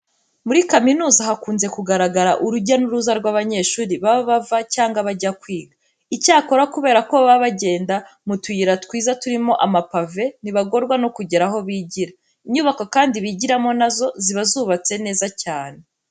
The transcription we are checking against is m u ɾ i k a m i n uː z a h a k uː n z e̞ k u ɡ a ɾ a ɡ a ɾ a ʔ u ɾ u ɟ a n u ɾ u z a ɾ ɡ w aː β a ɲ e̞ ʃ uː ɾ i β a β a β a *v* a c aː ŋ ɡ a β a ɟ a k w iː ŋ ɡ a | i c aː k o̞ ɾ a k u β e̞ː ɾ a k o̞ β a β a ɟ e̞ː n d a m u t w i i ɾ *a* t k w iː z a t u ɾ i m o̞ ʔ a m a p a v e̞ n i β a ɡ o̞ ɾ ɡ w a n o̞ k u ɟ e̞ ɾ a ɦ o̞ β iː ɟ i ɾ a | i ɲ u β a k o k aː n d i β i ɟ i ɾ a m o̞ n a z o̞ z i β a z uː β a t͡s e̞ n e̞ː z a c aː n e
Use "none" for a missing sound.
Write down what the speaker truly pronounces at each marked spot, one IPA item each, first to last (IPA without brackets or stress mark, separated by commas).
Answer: v, a